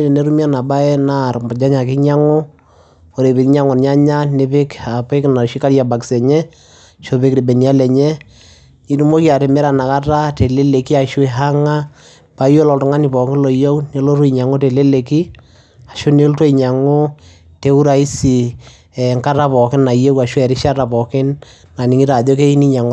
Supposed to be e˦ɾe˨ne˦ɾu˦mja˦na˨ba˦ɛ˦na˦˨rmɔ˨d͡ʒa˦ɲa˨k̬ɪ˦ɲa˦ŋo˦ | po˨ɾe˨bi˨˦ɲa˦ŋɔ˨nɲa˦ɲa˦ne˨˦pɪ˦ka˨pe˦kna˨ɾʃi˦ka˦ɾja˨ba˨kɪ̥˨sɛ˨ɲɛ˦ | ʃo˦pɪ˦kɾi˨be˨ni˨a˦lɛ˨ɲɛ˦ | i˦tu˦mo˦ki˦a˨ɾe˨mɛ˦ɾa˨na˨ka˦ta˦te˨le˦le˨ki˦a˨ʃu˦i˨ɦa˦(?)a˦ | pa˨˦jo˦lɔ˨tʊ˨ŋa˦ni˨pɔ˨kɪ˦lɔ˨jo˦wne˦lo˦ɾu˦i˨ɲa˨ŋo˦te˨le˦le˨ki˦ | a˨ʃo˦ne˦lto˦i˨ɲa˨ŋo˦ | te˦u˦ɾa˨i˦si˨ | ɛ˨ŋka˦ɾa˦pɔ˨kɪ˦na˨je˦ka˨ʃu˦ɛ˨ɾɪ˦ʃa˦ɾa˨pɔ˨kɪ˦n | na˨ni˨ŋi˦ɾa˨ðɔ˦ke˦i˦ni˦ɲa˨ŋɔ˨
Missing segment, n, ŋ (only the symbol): ŋ